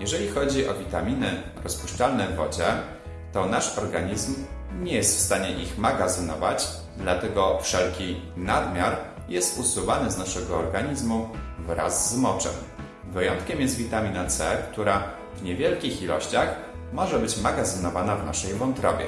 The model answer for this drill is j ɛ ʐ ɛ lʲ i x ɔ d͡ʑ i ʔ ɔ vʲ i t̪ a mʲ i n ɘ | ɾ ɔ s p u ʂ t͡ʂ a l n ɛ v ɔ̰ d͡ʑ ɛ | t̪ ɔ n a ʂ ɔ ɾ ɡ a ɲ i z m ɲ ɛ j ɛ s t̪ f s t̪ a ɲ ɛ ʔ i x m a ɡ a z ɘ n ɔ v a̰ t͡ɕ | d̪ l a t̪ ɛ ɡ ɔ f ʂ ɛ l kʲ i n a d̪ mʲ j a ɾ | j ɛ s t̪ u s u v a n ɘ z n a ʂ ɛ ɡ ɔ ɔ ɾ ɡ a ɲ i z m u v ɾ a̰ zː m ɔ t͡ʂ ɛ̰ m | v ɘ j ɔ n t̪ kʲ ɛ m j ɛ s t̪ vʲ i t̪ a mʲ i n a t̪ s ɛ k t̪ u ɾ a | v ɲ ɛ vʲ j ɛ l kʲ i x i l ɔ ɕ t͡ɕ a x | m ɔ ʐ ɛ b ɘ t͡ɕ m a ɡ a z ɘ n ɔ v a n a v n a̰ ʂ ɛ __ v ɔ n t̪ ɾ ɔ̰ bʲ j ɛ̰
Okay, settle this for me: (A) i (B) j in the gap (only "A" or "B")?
B